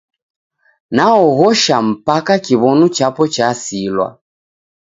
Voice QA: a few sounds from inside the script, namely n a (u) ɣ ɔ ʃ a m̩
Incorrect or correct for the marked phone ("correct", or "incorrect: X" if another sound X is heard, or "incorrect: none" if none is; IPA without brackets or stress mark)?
incorrect: ɔ